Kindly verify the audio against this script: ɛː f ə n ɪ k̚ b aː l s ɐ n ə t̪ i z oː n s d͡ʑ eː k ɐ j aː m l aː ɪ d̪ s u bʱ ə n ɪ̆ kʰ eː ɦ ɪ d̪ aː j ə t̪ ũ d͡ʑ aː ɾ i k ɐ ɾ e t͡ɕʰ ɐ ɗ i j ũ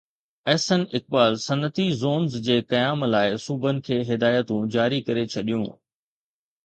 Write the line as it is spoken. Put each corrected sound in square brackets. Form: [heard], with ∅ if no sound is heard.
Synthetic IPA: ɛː [s] ə n ɪ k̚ b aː l s ɐ n ə t̪ i z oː n [z] d͡ʑ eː k ɐ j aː m l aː ɪ [∅] s u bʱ ə n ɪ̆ kʰ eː ɦ ɪ d̪ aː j ə t̪ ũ d͡ʑ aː ɾ i k ɐ ɾ e t͡ɕʰ ɐ ɗ i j ũ

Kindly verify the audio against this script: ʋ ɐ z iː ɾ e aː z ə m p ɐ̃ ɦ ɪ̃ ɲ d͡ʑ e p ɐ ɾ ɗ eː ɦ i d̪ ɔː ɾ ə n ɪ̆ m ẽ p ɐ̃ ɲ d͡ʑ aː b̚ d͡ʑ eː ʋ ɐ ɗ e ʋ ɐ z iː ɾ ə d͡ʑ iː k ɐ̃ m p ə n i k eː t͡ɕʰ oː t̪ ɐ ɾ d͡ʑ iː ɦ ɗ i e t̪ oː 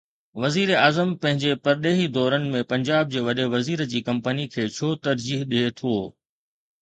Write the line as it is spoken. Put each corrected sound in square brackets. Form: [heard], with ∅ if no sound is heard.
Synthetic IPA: ʋ ɐ z iː ɾ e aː z ə m p ɐ̃ ɦ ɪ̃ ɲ d͡ʑ e p ɐ ɾ ɗ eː ɦ i d̪ ɔː ɾ ə n ɪ̆ m ẽ p ɐ̃ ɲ d͡ʑ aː b̚ d͡ʑ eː ʋ ɐ ɗ e ʋ ɐ z iː ɾ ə d͡ʑ iː k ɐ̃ m p ə n i [kʰ] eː t͡ɕʰ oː t̪ ɐ ɾ d͡ʑ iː ɦ ɗ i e [t̪ʰ] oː

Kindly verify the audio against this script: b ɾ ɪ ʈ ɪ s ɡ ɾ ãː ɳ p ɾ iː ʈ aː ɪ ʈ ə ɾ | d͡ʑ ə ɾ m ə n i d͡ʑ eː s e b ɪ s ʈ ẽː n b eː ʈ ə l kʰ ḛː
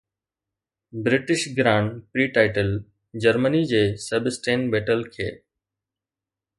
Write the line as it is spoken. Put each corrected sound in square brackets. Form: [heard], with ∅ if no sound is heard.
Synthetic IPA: b ɾ ɪ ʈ ɪ [ʃ] ɡ ɾ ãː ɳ p ɾ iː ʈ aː ɪ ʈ ə [l] | d͡ʑ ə ɾ m ə n i d͡ʑ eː s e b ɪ s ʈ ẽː n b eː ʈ ə l kʰ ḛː

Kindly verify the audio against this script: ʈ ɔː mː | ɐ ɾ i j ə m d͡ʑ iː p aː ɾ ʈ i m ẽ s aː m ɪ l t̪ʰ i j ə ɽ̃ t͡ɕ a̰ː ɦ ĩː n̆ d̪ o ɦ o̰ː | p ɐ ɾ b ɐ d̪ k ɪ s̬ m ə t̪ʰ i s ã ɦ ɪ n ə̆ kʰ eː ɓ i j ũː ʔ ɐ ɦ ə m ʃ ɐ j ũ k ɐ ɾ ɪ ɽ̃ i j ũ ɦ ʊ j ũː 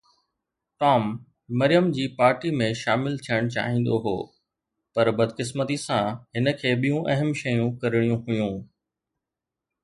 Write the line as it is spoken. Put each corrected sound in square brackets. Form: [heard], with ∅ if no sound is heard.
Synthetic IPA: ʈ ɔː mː | ɐ ɾ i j ə m d͡ʑ iː p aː ɾ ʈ i m ẽ [ʃ] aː m ɪ l t̪ʰ i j ə ɽ̃ t͡ɕ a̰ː ɦ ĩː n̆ d̪ o ɦ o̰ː | p ɐ ɾ b ɐ d̪ k ɪ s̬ m ə [t̪] i s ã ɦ ɪ n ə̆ kʰ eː ɓ i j [ũ] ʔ ɐ ɦ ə m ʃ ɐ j ũ k ɐ ɾ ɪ ɽ̃ i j ũ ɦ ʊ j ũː

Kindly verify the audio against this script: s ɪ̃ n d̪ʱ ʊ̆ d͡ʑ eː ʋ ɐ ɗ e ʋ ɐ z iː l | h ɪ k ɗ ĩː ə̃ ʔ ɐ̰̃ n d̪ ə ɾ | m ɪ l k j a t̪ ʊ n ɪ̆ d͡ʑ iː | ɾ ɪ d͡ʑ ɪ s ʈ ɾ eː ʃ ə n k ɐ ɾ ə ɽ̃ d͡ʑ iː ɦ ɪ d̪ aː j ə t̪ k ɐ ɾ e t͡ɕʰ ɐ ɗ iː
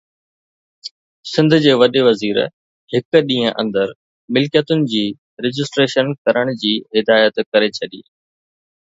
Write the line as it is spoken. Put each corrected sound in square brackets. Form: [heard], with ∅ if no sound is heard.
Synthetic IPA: s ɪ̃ n d̪ʱ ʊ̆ d͡ʑ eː ʋ ɐ ɗ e ʋ ɐ z iː [ɾ] | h ɪ k ɗ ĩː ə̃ ʔ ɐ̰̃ n d̪ ə ɾ | m ɪ l k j [ə] t̪ ʊ n ɪ̆ d͡ʑ iː | ɾ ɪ d͡ʑ ɪ s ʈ ɾ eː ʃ ə n k ɐ ɾ ə ɽ̃ d͡ʑ iː ɦ ɪ d̪ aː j ə t̪ k ɐ ɾ e t͡ɕʰ ɐ ɗ iː

